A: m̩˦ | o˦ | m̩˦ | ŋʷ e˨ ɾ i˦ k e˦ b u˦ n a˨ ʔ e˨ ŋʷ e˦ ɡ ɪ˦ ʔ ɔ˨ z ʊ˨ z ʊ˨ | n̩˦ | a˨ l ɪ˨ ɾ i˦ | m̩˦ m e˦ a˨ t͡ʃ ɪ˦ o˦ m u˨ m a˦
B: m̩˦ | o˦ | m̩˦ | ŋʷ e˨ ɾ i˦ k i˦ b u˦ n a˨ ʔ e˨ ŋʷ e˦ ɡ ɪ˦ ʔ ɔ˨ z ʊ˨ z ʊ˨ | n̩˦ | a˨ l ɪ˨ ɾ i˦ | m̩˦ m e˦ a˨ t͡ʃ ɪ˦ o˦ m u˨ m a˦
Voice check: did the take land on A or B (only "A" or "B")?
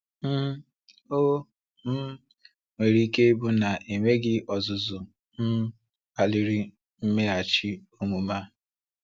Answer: A